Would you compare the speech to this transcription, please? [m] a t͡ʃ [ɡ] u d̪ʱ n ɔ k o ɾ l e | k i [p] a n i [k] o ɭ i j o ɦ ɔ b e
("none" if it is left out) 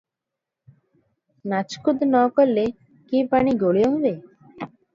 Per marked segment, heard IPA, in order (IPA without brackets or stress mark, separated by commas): n, k, p, ɡ